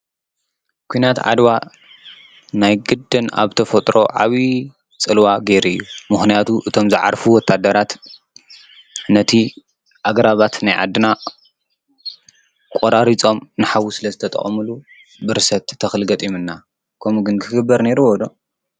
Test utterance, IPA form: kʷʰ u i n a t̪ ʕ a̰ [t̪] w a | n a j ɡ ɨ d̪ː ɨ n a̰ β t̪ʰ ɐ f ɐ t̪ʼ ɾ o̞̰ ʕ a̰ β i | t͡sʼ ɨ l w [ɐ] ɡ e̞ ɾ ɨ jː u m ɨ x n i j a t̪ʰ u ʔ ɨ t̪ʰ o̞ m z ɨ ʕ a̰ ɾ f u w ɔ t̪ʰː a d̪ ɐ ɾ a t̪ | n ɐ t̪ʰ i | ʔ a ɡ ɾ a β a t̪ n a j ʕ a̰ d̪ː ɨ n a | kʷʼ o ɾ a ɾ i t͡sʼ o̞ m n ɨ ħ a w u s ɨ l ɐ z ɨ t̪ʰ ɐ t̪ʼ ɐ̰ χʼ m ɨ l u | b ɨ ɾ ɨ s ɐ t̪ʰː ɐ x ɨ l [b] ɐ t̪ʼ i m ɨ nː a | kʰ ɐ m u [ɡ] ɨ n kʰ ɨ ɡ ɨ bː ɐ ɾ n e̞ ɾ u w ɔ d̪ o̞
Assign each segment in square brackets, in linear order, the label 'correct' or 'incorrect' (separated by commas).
incorrect, incorrect, incorrect, correct